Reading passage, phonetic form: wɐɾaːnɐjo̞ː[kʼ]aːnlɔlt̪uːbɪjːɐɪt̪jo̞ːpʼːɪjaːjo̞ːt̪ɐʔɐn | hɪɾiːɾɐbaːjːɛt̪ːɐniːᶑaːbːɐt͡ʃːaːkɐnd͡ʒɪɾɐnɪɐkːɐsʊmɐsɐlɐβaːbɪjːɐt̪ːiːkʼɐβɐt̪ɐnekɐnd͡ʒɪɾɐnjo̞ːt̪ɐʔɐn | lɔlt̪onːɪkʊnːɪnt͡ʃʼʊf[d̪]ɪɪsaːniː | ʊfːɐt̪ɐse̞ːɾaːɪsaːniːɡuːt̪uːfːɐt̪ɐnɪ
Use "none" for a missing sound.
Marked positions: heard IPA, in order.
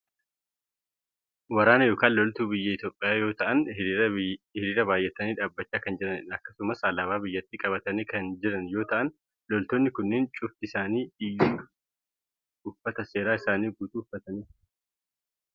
k, t̪

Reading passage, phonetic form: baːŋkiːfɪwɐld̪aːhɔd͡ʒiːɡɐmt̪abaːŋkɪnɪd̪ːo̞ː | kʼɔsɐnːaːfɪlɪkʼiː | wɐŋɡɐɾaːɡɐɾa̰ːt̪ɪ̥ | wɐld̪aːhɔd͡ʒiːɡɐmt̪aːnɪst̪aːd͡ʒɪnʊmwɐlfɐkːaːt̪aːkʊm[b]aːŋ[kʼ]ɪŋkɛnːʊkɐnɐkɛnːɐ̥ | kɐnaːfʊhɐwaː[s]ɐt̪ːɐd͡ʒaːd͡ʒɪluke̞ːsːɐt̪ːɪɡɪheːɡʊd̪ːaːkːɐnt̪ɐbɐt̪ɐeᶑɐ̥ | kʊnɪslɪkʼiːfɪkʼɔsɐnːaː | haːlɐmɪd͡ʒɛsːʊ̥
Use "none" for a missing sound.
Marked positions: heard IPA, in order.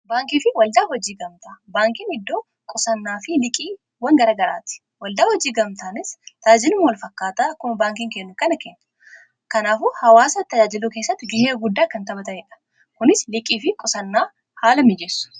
b, k, s

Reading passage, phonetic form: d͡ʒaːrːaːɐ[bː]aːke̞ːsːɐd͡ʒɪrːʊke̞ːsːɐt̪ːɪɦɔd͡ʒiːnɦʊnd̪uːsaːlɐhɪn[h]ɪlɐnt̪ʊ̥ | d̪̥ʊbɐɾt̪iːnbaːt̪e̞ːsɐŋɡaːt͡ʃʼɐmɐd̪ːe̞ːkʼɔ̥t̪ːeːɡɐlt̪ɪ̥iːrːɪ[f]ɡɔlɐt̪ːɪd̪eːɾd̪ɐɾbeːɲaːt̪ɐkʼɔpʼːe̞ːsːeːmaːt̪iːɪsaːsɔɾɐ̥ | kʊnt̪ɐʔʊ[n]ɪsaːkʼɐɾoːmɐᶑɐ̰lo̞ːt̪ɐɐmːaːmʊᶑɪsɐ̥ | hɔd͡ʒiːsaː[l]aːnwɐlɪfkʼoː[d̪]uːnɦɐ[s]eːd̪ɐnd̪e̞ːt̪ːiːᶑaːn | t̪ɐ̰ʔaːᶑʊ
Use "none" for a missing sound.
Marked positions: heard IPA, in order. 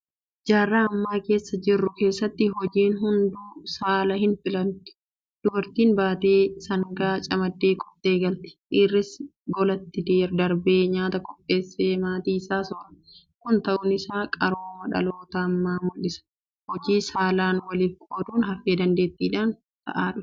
mː, f, s, n, l, d̪, f

